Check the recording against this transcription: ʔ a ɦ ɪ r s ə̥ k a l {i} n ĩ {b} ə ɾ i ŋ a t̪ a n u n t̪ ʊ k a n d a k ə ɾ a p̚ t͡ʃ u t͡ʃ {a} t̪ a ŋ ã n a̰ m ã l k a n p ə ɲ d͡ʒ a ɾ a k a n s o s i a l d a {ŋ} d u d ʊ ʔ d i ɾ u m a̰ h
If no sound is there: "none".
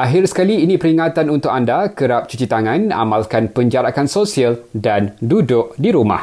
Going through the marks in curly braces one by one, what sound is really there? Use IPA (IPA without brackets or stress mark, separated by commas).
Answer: iː, p, i, n